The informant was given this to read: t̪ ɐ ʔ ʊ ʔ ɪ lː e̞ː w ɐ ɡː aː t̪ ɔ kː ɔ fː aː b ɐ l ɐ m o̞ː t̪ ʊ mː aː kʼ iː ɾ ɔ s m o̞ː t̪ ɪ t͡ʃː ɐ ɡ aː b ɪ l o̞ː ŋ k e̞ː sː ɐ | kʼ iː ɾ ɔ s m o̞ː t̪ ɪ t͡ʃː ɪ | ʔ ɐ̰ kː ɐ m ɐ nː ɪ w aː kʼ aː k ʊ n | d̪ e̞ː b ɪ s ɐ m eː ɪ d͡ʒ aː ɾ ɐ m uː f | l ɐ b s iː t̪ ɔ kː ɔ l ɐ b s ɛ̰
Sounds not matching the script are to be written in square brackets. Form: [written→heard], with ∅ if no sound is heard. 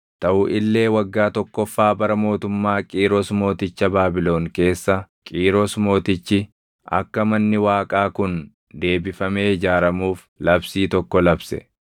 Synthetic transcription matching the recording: t̪ ɐ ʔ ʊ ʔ ɪ lː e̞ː w ɐ ɡː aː t̪ ɔ kː ɔ fː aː b ɐ [l→ɾ] ɐ m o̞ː t̪ ʊ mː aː kʼ iː ɾ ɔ s m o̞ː t̪ ɪ t͡ʃː ɐ [ɡ→b] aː b ɪ l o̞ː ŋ k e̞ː sː ɐ | kʼ iː ɾ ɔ s m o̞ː t̪ ɪ t͡ʃː ɪ | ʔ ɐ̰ kː ɐ m ɐ nː ɪ w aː kʼ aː k ʊ n | d̪ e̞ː b ɪ [s→f] ɐ m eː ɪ d͡ʒ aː ɾ ɐ m uː f | l ɐ b s iː t̪ ɔ kː ɔ l ɐ b s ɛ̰